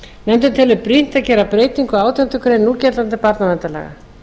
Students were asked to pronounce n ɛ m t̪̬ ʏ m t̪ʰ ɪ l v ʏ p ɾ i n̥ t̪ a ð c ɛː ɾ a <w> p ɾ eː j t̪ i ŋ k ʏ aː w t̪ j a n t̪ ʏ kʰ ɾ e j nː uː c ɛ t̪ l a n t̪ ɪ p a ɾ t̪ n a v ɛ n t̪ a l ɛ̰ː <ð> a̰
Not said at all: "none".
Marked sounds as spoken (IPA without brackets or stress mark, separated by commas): none, ɣ